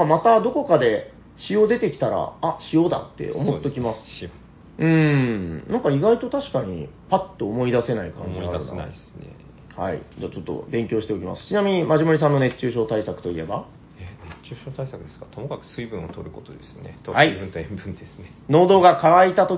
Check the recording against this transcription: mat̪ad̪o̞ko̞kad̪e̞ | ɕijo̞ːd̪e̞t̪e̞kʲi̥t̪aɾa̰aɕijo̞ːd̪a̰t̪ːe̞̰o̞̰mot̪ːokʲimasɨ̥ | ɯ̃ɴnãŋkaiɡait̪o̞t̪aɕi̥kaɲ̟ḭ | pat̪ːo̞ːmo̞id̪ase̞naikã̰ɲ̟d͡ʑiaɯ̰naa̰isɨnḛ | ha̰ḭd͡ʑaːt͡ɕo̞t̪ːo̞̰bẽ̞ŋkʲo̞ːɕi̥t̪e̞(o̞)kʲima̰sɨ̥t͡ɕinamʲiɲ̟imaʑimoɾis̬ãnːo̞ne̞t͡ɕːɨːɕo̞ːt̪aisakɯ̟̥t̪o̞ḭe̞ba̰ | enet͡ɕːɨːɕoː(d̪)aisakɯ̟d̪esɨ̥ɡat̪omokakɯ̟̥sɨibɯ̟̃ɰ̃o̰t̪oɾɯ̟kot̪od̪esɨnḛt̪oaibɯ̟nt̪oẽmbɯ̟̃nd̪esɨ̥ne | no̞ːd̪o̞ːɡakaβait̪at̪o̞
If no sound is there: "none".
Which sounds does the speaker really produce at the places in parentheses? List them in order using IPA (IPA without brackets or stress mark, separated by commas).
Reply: o̞, t̪